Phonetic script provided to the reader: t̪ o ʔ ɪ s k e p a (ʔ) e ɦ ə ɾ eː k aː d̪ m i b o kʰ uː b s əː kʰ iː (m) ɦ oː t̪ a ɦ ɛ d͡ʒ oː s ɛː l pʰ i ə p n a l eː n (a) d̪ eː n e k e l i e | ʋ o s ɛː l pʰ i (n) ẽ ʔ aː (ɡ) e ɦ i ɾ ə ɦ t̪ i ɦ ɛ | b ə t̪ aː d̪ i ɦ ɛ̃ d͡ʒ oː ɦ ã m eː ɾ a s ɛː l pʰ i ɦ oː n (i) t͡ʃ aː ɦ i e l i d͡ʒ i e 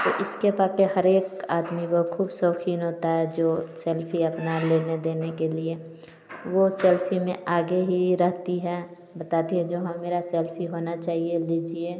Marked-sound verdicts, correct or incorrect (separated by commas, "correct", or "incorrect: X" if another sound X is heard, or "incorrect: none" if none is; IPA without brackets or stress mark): incorrect: k, incorrect: n, incorrect: e, incorrect: m, correct, incorrect: a